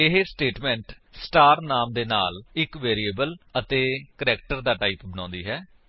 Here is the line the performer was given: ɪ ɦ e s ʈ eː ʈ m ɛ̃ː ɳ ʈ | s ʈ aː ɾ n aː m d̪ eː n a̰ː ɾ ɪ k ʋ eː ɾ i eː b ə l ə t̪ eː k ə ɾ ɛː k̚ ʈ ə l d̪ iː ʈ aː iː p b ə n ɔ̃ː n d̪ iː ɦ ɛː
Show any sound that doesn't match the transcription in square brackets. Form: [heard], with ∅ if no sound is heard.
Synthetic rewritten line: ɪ ɦ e s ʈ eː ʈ m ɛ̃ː ɳ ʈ | s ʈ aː ɾ n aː m d̪ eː n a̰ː [l] ɪ k ʋ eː ɾ i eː b ə l ə t̪ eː k ə ɾ ɛː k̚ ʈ ə [ɾ] d̪ [aː] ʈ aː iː p b ə n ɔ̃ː n d̪ iː ɦ ɛː